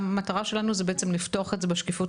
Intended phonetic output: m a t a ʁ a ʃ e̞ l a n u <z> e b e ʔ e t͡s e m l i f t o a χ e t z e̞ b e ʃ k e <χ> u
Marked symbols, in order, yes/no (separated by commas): yes, no